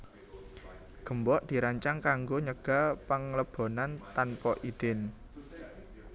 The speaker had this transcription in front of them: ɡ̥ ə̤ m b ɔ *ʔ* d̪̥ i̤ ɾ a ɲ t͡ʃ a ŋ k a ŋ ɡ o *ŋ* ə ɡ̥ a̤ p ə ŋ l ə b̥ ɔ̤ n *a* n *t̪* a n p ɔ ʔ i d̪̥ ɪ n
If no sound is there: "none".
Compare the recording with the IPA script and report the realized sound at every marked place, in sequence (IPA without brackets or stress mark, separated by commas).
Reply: ʔ, ɲ, a, t̪